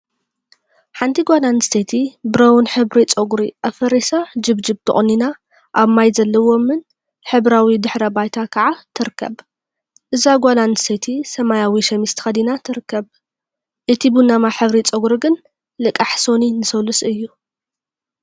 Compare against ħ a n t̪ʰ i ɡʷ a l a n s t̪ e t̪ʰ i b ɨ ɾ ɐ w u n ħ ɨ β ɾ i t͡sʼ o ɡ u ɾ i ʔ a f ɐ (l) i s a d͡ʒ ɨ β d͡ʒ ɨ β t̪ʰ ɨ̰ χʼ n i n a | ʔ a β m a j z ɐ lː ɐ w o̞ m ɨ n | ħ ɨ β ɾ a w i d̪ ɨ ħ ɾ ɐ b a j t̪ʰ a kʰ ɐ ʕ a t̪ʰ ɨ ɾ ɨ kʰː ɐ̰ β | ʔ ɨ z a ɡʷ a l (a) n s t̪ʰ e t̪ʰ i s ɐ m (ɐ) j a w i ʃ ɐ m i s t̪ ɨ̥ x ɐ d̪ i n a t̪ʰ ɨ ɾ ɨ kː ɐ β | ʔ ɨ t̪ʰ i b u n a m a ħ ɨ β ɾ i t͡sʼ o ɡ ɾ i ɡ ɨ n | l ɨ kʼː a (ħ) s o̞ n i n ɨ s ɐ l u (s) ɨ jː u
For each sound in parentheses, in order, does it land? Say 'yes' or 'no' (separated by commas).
no, yes, no, yes, yes